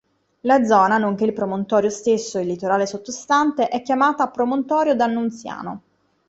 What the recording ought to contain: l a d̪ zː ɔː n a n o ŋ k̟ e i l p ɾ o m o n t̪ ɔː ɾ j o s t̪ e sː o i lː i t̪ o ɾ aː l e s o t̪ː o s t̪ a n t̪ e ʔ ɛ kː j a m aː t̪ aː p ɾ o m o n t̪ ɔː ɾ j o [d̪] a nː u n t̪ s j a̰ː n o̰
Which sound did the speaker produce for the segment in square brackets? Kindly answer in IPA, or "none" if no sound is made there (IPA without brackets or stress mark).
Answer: d̪